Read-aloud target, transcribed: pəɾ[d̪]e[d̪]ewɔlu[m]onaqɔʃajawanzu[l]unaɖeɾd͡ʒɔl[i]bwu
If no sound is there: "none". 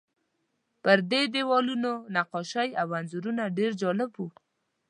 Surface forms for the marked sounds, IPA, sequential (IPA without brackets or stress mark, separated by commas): d̪, d̪, n, ɾ, ɪ